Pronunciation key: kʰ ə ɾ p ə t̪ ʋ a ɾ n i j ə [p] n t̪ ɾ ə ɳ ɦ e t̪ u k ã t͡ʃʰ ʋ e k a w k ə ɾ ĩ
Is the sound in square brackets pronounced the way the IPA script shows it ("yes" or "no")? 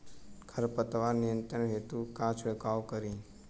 no